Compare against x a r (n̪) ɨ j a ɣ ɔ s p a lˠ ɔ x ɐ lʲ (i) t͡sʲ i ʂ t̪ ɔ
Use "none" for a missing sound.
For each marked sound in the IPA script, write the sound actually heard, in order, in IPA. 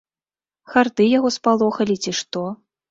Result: d̪, i

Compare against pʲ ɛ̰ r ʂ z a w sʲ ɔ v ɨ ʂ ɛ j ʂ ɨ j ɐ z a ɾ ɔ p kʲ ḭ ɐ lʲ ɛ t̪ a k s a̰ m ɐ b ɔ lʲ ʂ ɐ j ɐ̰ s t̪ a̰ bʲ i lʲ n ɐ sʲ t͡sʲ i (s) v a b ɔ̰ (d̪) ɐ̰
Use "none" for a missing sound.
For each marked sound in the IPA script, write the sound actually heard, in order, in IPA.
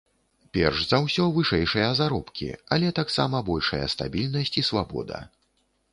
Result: s, d̪

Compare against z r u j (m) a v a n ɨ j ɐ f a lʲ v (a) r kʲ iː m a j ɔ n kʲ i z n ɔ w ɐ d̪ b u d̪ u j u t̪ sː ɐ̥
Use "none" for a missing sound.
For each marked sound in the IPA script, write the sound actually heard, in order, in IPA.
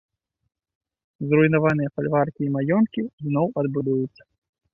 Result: n, a

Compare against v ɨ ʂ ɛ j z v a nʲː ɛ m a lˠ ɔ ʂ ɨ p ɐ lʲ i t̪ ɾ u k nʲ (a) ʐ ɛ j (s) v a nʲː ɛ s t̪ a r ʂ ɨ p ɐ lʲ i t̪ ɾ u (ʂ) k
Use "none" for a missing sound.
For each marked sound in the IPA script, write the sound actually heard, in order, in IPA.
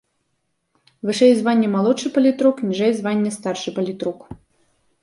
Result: i, z, none

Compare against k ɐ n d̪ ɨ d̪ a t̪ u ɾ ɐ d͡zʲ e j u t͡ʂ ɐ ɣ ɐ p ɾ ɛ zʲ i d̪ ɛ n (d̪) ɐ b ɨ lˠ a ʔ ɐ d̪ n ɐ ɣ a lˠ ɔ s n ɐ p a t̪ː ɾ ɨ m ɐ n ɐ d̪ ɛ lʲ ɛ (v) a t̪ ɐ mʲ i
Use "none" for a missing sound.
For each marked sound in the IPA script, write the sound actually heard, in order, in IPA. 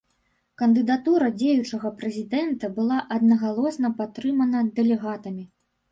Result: t̪, ɣ

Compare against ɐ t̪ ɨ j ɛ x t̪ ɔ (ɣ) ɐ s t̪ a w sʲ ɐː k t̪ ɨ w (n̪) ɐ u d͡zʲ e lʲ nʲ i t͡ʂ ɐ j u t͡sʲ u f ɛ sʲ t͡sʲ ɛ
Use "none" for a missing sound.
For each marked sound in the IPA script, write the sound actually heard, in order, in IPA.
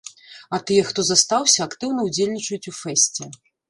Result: z, n̪

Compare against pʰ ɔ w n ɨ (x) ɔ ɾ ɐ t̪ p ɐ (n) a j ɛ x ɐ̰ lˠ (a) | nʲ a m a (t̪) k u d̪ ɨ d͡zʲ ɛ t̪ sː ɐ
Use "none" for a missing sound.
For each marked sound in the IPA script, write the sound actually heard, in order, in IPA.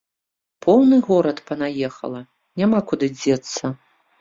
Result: ɣ, n, ɐ, none

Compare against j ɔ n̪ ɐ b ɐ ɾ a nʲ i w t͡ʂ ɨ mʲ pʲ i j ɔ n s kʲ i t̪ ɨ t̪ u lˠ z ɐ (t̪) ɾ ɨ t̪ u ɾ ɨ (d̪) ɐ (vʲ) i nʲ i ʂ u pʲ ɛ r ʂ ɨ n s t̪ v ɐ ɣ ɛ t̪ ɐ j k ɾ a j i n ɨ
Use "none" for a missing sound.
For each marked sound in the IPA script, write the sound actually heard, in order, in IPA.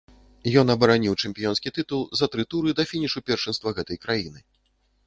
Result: t̪, d̪, fʲ

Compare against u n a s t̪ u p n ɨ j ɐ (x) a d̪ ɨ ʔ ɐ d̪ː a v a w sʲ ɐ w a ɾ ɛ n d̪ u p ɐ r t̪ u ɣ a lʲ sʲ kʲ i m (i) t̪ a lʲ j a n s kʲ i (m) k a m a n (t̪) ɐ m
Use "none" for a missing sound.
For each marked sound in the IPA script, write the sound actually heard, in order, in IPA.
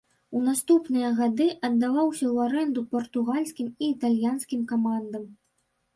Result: ɣ, iː, m, d̪

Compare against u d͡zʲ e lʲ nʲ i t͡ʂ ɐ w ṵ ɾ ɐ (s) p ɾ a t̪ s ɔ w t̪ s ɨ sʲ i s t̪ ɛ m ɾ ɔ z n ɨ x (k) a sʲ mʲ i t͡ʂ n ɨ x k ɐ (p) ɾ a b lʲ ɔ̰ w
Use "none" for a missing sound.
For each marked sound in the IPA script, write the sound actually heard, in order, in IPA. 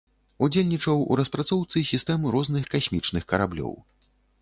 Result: s, k, none

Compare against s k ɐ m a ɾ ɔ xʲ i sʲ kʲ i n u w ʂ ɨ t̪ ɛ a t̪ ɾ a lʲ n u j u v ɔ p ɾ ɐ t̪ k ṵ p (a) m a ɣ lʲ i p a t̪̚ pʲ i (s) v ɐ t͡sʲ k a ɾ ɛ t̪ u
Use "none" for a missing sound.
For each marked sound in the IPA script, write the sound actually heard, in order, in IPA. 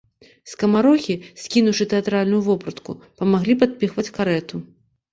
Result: ɐ, x

